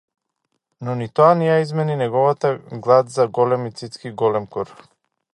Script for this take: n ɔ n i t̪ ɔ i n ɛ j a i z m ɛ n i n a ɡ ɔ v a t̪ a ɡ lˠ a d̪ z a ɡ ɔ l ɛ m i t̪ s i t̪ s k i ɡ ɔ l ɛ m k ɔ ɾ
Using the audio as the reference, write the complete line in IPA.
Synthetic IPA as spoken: n ɔ n i t̪ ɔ a n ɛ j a i z m ɛ n i n ɛ ɡ ɔ v a t̪ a ɡ lˠ a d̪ z a ɡ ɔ l ɛ m i t̪ s i t̪ s k i ɡ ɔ l ɛ m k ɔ ɾ

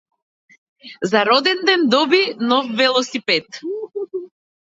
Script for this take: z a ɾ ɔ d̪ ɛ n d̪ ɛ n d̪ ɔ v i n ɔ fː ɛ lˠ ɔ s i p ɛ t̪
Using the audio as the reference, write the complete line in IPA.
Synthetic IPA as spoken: z a ɾ ɔ d̪ ɛ n d̪ ɛ n d̪ ɔ b i n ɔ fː ɛ lˠ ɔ s i p ɛ t̪

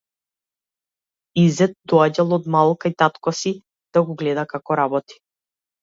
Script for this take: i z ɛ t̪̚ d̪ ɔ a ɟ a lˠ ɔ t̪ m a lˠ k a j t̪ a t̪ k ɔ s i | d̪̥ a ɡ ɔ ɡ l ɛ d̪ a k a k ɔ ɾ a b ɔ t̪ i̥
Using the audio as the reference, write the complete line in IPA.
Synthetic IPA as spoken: i z ɛ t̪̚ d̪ ɔ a ɟ a lˠ ɔ d̪ m a lˠ k a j t̪ a t̪ k ɔ s i | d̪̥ a ɡ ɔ ɡ l ɛ d̪ a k a k ɔ ɾ a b ɔ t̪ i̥

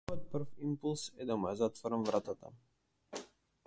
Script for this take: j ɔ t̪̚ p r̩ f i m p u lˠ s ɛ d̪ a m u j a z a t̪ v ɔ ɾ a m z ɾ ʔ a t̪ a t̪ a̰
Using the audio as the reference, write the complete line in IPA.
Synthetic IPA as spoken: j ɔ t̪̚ p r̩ f i m p u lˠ s ɛ d̪ a m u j a z a t̪ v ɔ ɾ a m v ɾ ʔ a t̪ a t̪ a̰

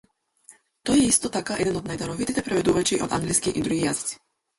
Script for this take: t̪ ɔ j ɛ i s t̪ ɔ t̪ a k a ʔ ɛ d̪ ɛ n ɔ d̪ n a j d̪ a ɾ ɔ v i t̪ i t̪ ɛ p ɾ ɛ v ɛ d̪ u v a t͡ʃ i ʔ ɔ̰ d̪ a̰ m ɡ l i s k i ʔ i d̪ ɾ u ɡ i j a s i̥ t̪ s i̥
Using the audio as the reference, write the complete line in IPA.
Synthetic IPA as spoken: t̪ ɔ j ɛ i s t̪ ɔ t̪ a k a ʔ ɛ d̪ ɛ n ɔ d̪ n a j d̪ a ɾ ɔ v i t̪ i t̪ ɛ p ɾ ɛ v ɛ d̪ u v a t͡ʃ i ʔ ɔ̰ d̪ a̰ ŋ ɡ l i s k i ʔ i d̪ ɾ u ɡ i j a z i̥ t̪ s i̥

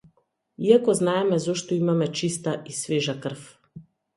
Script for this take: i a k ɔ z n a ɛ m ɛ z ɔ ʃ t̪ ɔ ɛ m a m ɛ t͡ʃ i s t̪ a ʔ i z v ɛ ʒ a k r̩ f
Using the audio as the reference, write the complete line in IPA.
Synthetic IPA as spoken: i a k ɔ z n a ɛ m ɛ z ɔ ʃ t̪ ɔ i m a m ɛ t͡ʃ i s t̪ a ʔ i s v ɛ ʒ a k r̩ f

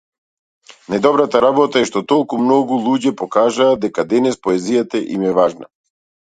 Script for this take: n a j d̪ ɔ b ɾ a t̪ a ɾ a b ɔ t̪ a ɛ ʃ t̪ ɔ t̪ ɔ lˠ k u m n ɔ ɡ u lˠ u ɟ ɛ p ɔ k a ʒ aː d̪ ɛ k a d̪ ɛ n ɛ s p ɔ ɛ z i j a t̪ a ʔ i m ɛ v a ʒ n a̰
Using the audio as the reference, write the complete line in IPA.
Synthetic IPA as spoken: n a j d̪ ɔ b ɾ a t̪ a ɾ a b ɔ t̪ a ɛ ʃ t̪ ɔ t̪ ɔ lˠ k u m n ɔ ɡ u lˠ u ɟ ɛ p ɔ k a ʒ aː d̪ ɛ k a d̪ ɛ n ɛ s p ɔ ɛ z i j a t̪ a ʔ i m ɛ v a ʒ n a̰

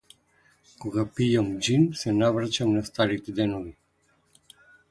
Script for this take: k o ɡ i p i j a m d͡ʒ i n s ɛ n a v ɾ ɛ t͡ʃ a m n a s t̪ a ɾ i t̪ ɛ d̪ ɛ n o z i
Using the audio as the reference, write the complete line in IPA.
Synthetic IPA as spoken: k o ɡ a p i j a m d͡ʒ i n s ɛ n a v ɾ a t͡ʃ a m n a s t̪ a ɾ i t̪ ɛ d̪ ɛ n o v i

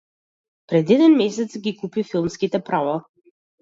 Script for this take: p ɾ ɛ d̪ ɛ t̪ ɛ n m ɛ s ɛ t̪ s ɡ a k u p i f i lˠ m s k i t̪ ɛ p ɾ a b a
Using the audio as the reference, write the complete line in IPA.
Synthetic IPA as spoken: p ɾ ɛ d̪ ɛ d̪ ɛ n m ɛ s ɛ t̪ s ɡ i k u p i f i lˠ m s k i t̪ ɛ p ɾ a v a

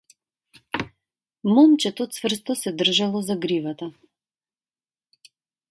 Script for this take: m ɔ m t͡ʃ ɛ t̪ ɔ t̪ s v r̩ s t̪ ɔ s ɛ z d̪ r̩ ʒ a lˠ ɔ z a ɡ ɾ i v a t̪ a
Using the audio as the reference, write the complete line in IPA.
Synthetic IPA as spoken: m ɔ m t͡ʃ ɛ t̪ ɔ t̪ s v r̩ s t̪ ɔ s ɛ d̪ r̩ ʒ a lˠ ɔ z a ɡ ɾ i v a t̪ a

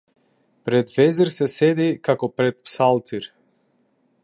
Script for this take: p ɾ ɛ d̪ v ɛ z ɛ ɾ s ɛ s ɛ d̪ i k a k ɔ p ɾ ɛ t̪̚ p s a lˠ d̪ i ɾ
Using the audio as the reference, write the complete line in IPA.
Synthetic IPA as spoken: p ɾ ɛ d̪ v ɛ z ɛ ɾ s ɛ s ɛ d̪ i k a k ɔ p ɾ ɛ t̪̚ p s a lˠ t̪ i ɾ

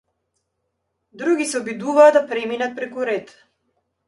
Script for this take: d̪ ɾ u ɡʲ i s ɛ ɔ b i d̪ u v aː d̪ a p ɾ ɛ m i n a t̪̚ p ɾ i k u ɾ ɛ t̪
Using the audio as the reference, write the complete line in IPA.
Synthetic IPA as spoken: d̪ ɾ u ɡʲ i s ɛ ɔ b i d̪ u v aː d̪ a p ɾ ɛ m i n a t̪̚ p ɾ ɛ k u ɾ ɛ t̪

